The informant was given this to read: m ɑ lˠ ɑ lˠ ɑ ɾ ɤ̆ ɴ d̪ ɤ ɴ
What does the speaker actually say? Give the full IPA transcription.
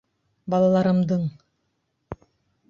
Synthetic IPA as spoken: b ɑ lˠ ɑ lˠ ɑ ɾ ɤ̆ m d̪ ɤ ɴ